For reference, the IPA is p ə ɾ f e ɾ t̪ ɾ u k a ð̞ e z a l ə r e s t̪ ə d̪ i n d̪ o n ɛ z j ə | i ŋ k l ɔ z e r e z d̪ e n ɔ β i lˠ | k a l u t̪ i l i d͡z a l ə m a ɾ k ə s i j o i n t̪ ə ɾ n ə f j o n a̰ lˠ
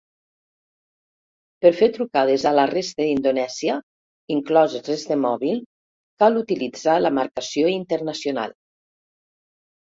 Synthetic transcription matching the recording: p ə ɾ f e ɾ t̪ ɾ u k a ð̞ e z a l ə r e s t̪ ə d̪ i n d̪ o n ɛ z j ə | i ŋ k l ɔ z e r e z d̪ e m ɔ β i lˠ | k a l u t̪ i l i d͡z a l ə m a ɾ k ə s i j o i n t̪ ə ɾ n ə s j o n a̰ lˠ